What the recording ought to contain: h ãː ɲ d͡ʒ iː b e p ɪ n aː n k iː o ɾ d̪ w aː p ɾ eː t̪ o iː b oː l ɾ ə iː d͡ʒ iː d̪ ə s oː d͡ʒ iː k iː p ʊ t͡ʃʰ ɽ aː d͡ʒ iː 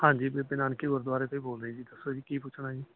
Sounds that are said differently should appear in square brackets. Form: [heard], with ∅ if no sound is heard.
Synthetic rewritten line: h ãː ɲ d͡ʒ iː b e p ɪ n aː n k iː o ɾ d̪ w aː [∅] ɾ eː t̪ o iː b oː l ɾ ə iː d͡ʒ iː d̪ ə s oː d͡ʒ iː k iː p ʊ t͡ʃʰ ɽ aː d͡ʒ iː